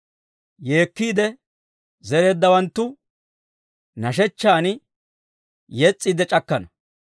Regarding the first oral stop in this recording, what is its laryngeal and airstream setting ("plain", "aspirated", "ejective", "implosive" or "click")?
plain